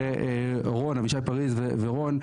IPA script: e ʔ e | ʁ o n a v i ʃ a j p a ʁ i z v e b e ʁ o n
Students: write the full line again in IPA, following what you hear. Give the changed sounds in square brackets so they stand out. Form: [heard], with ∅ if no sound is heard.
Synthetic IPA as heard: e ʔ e | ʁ o n a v i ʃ a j p a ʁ i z v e [v] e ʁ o n